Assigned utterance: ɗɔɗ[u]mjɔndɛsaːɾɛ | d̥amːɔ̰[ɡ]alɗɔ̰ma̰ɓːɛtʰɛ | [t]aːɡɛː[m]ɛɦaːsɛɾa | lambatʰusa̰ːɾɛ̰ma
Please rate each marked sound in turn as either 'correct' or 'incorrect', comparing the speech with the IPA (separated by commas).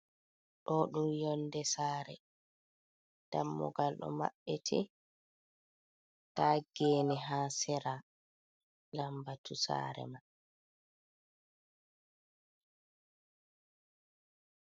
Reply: correct, correct, correct, incorrect